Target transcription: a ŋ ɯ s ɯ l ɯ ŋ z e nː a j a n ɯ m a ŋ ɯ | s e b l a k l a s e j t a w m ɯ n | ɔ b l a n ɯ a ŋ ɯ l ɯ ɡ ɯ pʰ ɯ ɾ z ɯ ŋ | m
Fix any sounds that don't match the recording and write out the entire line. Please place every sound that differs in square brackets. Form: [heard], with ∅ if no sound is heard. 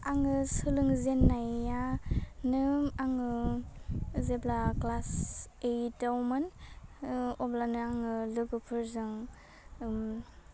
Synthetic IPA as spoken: a ŋ ɯ s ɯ l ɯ ŋ z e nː a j a n ɯ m a ŋ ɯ | [z] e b l a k l a s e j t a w m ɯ n | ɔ b l a n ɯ a ŋ ɯ l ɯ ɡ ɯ pʰ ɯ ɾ z ɯ ŋ | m